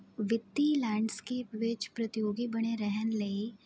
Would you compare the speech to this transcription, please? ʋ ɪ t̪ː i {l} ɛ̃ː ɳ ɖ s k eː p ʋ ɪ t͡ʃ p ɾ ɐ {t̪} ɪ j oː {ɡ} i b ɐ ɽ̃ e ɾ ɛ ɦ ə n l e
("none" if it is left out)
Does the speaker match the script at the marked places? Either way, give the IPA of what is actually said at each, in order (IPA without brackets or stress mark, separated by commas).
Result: l, t̪, ɡ